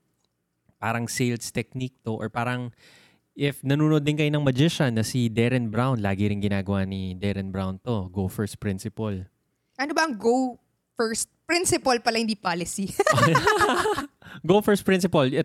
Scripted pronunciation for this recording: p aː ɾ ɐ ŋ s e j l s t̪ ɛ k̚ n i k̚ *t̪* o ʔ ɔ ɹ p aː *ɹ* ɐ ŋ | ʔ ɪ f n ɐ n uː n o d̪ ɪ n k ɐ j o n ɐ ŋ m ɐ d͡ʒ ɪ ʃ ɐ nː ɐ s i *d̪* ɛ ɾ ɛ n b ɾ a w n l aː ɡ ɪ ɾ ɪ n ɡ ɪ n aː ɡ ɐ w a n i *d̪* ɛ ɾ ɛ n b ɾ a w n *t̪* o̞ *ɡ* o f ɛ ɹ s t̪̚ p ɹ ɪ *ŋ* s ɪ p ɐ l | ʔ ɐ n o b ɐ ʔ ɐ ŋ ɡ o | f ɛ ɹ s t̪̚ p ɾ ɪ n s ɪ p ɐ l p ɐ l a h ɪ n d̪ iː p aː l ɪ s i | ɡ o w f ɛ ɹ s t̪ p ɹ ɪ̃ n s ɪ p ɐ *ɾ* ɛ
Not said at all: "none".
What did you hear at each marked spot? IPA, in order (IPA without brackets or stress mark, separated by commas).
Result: t̪, ɾ, d̪, d̪, t̪, ɡ, n, l